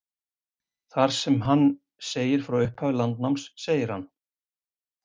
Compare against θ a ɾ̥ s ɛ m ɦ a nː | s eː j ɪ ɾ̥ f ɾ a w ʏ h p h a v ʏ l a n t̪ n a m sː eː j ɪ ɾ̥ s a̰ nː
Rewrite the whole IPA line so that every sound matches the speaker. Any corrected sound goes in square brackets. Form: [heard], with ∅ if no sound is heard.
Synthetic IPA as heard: θ a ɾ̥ s ɛ m ɦ a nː | s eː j ɪ ɾ̥ f ɾ a w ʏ h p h a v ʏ l a n t̪ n a m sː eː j ɪ ɾ̥ [h] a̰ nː